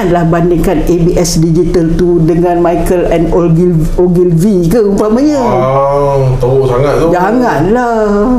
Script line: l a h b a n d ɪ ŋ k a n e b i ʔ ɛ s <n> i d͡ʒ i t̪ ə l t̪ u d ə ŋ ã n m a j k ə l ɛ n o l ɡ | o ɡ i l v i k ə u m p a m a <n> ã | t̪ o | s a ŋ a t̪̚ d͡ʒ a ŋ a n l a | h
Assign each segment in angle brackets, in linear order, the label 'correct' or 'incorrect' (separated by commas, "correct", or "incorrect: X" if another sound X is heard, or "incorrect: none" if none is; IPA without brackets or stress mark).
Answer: incorrect: d, incorrect: ɲ